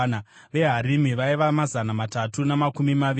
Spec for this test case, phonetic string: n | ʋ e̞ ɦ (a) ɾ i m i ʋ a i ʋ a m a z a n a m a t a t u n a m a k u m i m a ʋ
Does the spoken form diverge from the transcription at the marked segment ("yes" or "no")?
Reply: no